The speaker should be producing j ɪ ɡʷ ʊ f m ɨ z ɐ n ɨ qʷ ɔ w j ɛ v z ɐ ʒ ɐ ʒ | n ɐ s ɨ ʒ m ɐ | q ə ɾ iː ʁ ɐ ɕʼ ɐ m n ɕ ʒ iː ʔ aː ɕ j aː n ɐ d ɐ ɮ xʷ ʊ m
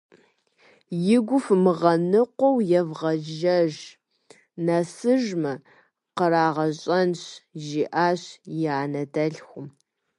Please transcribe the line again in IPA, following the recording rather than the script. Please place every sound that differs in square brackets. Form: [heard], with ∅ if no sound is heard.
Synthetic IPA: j ɪ ɡʷ ʊ f m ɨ [ʁ] ɐ n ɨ qʷ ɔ w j ɛ v [ʁ] ɐ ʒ ɐ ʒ | n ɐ s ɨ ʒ m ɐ | q ə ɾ [aː] ʁ ɐ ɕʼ ɐ [∅] n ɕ ʒ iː ʔ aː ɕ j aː n ɐ d ɐ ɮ xʷ ʊ m